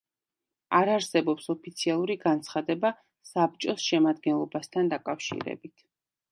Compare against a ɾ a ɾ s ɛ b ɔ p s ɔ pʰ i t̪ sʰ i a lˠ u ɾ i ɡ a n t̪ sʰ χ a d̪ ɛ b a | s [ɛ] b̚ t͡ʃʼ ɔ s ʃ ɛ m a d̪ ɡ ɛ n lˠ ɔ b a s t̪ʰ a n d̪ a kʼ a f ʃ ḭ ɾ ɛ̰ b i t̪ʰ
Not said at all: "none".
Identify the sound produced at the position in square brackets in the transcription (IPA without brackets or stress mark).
a